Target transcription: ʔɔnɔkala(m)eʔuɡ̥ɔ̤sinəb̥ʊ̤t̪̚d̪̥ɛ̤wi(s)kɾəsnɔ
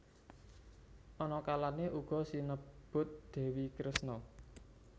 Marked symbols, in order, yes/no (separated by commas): no, no